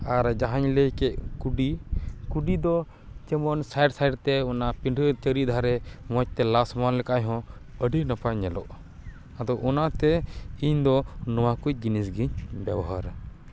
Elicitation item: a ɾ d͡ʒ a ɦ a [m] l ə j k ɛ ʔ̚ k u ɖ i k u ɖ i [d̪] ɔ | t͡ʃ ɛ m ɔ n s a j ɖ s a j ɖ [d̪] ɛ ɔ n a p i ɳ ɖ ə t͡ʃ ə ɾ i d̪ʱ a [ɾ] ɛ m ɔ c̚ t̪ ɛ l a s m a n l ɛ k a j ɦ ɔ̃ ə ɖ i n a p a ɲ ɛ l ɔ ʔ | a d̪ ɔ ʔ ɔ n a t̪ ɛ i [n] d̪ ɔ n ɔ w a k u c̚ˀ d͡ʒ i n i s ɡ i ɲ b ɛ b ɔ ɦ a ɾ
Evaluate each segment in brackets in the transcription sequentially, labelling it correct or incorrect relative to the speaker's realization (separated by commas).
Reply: incorrect, correct, incorrect, correct, incorrect